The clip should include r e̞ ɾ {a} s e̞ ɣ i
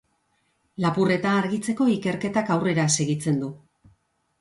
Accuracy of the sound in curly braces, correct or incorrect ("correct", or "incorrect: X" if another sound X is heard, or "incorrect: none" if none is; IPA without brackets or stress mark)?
correct